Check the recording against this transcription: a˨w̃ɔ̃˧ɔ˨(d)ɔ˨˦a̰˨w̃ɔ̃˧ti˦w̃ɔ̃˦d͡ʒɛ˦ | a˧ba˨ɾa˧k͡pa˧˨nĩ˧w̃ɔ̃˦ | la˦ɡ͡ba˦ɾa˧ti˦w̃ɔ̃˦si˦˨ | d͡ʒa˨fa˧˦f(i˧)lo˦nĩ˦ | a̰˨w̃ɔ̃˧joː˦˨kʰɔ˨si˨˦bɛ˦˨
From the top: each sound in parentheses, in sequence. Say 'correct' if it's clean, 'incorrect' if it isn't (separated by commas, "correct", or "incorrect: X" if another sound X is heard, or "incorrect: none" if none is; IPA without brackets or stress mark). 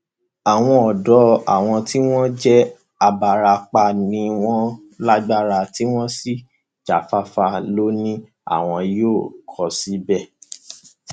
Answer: correct, incorrect: a˧